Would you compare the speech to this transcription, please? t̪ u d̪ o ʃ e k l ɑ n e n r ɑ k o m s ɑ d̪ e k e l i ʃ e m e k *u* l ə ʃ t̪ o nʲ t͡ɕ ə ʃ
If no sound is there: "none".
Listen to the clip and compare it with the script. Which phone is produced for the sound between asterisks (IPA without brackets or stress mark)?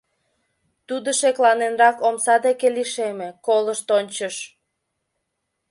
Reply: o